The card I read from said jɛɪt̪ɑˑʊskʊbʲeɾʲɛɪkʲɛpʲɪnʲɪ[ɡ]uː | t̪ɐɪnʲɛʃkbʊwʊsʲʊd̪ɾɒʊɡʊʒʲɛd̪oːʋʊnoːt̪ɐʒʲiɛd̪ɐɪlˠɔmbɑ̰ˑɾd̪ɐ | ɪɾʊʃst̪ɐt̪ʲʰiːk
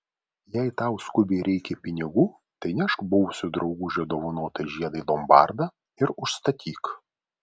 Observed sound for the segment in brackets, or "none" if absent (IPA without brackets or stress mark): ɡ